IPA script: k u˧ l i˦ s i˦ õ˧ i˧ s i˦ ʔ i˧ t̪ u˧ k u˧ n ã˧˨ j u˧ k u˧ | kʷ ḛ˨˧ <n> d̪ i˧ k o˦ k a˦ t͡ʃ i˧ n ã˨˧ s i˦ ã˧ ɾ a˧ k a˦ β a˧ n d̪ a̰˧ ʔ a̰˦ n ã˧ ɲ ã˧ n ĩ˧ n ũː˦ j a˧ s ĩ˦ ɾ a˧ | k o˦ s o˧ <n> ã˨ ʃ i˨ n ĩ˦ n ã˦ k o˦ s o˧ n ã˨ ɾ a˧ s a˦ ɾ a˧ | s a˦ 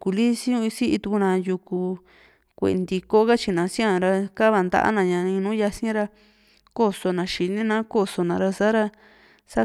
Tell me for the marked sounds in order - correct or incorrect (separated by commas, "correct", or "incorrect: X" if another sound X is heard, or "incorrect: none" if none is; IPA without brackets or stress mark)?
correct, correct